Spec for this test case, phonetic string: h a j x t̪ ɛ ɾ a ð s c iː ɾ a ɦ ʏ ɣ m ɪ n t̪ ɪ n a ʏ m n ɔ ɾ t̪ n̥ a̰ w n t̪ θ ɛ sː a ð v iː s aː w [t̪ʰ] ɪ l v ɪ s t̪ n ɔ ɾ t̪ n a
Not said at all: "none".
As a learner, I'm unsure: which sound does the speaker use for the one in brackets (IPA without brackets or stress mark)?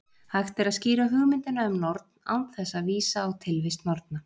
t̪ʰ